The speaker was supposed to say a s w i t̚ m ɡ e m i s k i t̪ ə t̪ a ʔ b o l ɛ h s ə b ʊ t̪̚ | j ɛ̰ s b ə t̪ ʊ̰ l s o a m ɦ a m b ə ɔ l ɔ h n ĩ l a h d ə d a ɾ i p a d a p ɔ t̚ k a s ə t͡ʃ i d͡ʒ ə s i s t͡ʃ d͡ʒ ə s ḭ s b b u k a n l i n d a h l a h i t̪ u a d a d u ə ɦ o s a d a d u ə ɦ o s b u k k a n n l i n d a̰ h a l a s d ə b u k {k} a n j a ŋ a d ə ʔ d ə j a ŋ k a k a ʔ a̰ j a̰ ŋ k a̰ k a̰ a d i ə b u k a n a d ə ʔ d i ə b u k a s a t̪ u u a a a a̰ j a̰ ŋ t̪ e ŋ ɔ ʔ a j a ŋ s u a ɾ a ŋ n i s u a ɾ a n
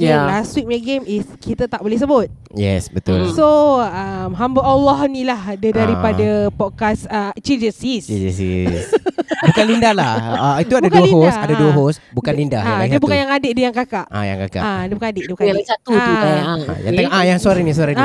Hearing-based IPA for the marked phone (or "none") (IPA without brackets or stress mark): k